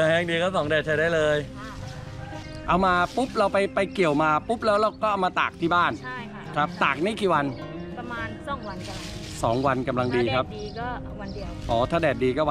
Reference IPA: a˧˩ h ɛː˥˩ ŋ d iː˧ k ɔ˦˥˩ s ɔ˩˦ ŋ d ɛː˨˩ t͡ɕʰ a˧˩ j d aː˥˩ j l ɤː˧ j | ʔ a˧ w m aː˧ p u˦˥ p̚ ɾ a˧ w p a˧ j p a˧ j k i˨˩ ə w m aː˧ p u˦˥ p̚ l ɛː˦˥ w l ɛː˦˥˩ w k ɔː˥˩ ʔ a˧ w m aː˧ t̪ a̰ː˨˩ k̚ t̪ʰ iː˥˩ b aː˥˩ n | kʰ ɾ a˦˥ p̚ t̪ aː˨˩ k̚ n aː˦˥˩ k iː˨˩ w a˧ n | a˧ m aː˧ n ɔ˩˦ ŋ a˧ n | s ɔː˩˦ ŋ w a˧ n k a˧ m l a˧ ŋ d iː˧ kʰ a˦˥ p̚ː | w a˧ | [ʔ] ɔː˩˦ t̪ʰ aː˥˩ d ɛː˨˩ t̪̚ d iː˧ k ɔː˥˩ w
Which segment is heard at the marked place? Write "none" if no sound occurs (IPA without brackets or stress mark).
ʔ